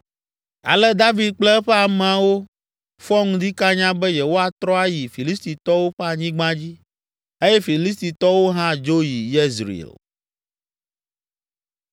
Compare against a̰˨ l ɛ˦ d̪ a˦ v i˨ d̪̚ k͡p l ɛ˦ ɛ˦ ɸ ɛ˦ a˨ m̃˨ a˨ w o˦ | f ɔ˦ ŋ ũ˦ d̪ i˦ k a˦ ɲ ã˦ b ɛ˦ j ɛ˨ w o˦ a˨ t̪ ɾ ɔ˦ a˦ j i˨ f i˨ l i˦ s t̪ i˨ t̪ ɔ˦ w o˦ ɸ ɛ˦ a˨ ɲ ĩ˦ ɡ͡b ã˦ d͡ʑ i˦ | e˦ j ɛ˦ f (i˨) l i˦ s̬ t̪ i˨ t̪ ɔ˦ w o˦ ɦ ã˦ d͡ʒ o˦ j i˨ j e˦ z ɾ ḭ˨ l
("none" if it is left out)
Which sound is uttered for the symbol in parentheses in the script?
i˨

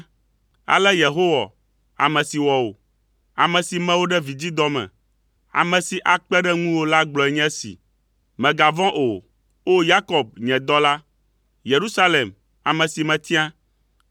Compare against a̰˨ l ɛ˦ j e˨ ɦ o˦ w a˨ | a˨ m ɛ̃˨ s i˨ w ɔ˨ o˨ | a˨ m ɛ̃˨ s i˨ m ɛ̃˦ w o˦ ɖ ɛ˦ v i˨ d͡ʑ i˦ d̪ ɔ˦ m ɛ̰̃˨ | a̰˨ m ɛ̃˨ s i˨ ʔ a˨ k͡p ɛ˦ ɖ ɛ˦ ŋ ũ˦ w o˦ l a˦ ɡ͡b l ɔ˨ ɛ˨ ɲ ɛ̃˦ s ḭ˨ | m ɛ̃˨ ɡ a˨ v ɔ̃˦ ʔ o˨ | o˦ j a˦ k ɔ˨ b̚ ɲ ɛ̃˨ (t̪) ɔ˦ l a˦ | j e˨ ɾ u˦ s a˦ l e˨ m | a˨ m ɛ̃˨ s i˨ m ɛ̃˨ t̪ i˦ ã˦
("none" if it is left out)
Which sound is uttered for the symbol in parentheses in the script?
d̪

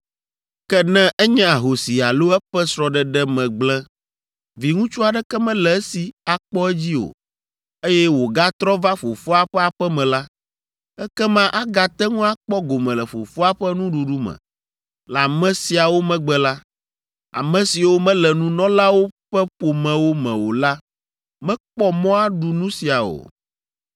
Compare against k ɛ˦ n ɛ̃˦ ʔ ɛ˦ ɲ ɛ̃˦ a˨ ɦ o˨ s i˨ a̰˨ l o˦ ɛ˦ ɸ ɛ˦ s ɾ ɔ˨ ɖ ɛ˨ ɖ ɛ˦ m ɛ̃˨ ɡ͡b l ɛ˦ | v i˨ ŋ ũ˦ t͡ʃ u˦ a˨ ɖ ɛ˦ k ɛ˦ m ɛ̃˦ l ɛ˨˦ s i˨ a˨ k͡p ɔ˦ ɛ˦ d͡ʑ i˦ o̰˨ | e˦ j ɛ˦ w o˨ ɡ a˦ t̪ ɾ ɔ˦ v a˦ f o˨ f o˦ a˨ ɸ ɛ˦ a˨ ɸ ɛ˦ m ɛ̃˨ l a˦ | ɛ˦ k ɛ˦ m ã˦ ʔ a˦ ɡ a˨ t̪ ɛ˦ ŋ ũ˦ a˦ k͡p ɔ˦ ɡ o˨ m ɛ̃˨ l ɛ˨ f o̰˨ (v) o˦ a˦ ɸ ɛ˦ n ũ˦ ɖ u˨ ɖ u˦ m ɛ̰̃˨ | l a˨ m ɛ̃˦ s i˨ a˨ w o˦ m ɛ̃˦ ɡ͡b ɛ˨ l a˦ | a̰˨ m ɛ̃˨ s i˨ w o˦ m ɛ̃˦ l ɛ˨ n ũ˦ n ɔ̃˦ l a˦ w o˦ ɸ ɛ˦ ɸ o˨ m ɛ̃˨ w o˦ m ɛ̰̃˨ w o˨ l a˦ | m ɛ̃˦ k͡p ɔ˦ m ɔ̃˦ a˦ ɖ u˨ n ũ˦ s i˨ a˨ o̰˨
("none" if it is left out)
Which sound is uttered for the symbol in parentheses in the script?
f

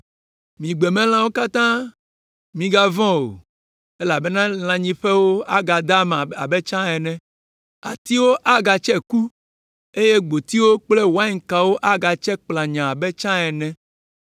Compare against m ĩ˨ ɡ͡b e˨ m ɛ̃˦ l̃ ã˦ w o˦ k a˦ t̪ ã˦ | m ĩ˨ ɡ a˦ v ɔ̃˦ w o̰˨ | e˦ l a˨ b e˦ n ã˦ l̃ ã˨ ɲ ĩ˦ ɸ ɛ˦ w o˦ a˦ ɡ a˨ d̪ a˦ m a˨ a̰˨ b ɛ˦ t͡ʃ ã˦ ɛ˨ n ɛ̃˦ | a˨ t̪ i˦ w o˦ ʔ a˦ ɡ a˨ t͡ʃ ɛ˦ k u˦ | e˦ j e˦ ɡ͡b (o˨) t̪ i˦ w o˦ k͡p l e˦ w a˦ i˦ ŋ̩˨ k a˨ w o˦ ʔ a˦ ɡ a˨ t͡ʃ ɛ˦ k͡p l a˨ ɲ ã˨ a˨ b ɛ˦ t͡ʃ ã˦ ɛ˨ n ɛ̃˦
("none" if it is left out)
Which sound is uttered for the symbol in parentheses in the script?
o˨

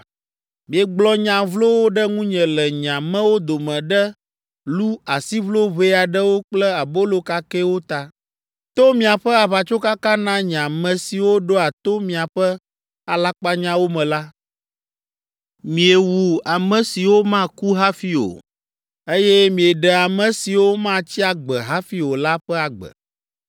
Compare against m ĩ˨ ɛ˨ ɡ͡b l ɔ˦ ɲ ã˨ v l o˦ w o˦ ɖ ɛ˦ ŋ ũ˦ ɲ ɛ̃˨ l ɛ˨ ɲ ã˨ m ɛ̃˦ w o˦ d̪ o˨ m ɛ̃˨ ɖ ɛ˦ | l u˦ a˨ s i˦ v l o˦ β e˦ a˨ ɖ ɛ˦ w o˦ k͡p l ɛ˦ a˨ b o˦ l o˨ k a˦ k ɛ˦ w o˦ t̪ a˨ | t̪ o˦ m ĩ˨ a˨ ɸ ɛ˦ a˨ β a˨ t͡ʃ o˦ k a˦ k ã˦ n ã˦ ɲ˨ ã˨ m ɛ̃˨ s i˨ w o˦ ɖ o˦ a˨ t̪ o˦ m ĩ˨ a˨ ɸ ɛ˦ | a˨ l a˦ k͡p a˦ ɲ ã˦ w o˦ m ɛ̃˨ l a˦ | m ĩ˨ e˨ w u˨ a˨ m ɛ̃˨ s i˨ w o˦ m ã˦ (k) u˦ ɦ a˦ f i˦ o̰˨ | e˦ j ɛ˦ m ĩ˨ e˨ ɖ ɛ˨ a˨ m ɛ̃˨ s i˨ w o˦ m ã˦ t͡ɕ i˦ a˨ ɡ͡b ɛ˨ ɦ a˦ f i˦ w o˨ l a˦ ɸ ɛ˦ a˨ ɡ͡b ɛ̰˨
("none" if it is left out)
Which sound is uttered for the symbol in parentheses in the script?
k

